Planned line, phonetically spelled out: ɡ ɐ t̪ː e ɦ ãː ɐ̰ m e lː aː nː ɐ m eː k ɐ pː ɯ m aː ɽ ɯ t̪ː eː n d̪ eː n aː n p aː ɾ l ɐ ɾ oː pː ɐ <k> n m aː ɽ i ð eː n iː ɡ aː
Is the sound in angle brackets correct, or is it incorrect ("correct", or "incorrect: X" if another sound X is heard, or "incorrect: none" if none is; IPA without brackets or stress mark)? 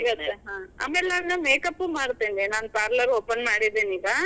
incorrect: none